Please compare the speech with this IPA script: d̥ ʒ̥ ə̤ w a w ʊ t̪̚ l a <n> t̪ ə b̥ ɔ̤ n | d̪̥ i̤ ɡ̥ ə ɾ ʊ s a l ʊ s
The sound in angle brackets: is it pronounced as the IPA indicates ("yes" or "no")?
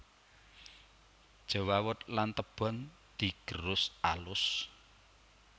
yes